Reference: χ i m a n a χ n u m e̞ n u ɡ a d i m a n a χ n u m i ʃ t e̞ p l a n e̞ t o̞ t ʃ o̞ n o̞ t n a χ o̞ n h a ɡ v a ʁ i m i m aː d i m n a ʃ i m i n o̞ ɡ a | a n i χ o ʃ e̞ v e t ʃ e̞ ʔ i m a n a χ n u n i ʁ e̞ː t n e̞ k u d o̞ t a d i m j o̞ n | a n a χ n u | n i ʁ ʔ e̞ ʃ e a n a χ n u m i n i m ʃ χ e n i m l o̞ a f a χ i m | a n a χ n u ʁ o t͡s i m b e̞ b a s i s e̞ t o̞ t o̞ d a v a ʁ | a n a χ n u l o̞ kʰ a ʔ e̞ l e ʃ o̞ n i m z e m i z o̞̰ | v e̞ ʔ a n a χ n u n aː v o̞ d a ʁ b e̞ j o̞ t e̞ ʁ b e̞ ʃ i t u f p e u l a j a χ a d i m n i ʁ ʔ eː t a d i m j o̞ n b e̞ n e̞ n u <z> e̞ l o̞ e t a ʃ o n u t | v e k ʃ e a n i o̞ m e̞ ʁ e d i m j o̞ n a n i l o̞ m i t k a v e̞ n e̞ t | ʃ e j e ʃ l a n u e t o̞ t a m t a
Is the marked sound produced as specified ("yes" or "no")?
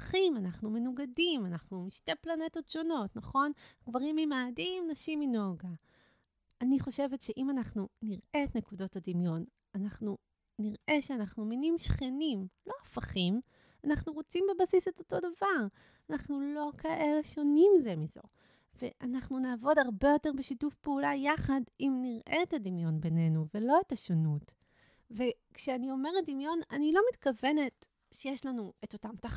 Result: no